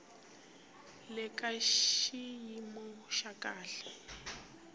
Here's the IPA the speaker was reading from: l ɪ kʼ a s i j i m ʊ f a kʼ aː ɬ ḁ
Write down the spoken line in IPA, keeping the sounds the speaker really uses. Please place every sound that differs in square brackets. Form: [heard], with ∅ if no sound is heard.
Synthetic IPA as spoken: l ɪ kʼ a [ʃ] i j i m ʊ [ʃ] a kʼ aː ɬ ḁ